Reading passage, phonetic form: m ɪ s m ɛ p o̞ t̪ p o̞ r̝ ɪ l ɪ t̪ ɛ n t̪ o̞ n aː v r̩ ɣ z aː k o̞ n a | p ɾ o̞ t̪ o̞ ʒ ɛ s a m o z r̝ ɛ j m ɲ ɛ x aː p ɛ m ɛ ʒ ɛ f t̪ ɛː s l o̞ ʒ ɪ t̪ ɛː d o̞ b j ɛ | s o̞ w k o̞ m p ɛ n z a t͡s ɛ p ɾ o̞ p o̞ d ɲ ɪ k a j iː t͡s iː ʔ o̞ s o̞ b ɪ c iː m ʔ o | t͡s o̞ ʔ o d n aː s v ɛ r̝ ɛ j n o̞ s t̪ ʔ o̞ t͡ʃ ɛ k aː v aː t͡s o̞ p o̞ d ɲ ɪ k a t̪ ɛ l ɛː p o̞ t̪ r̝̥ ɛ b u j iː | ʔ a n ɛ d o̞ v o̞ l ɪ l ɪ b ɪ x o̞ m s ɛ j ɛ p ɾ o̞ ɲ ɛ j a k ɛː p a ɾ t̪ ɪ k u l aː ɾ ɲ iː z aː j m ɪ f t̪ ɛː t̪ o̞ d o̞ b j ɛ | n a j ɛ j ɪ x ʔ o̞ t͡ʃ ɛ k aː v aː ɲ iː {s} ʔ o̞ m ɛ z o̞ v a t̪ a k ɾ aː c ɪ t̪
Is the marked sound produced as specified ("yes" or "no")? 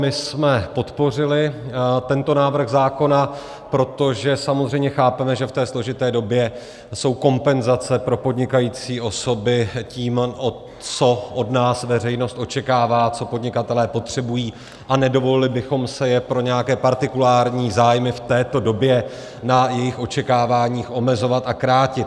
no